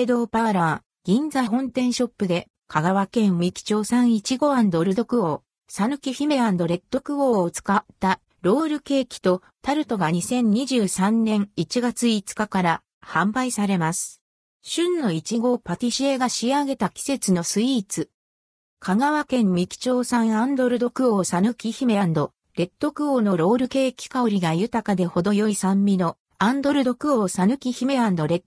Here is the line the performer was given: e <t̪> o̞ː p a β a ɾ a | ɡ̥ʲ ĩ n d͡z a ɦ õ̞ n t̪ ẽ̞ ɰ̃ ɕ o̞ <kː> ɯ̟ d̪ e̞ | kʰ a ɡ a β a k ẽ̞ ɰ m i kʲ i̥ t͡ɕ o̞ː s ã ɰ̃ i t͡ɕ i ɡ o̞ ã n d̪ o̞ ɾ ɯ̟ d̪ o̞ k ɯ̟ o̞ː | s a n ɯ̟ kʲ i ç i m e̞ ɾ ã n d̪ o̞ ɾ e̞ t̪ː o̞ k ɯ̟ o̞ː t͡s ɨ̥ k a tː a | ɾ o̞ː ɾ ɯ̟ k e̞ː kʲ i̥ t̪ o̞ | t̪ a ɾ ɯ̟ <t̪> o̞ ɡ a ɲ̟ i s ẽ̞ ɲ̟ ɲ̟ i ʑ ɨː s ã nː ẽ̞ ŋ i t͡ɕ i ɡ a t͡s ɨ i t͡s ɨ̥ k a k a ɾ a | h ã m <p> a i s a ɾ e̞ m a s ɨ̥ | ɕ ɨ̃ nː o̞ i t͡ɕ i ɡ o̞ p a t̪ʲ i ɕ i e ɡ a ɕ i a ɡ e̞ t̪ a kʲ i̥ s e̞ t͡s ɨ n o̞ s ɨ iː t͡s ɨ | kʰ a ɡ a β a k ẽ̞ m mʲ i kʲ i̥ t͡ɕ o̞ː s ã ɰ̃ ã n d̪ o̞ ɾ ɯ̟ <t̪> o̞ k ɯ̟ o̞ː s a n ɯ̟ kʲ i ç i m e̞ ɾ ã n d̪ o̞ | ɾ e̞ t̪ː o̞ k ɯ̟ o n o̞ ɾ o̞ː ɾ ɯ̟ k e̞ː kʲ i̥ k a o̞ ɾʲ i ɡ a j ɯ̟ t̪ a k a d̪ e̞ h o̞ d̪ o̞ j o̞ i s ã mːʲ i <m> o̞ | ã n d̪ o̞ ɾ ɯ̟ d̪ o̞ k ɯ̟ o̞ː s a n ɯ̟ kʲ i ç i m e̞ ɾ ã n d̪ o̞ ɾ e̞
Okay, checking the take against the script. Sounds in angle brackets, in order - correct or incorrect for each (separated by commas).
incorrect, incorrect, correct, incorrect, incorrect, incorrect